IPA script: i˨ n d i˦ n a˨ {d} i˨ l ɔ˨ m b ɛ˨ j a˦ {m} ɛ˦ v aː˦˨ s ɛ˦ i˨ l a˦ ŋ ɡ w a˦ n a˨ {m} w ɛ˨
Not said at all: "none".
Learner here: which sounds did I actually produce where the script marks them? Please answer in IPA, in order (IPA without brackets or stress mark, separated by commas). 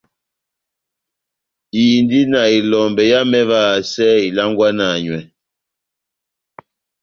none, m, ɲ